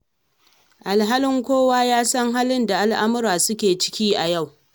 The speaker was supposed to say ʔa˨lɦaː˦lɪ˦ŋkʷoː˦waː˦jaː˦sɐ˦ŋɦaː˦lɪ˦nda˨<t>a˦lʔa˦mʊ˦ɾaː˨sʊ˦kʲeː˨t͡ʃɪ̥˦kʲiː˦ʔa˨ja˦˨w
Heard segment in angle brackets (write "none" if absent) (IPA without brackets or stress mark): ʔ